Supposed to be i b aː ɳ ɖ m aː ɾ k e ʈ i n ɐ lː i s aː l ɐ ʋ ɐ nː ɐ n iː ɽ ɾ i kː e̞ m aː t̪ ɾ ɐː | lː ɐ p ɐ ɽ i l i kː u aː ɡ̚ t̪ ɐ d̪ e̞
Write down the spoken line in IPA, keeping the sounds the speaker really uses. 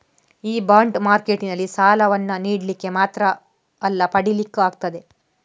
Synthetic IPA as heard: iː b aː ɳ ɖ m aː ɾ k e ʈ i n ɐ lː i s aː l ɐ ʋ ɐ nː ɐ n iː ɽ l i kː e̞ m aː t̪ ɾ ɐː | lː ɐ p ɐ ɽ i l i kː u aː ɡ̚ t̪ ɐ d̪ e̞